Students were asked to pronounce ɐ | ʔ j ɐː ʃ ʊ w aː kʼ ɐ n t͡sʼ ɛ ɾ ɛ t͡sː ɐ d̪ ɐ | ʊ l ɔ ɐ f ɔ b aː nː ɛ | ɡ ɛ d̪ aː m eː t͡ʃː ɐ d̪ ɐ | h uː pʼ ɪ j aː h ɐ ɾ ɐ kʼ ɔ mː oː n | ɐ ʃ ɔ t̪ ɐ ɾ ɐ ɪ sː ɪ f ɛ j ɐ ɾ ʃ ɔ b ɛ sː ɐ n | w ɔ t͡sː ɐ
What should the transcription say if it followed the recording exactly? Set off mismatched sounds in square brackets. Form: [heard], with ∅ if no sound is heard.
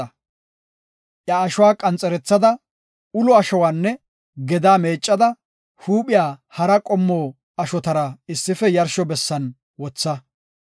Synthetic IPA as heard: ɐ | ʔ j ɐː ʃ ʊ w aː kʼ ɐ n t͡sʼ ɛ ɾ ɛ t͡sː ɐ d̪ ɐ | ʊ l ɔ ɐ [ʃ] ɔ [w] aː nː ɛ | ɡ ɛ d̪ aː m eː [t͡ʃʼː] ɐ d̪ ɐ | h uː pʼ ɪ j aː h ɐ ɾ ɐ kʼ ɔ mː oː [∅] | ɐ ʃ ɔ t̪ ɐ ɾ ɐ ɪ sː ɪ f ɛ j ɐ ɾ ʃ ɔ b ɛ sː ɐ n | w ɔ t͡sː ɐ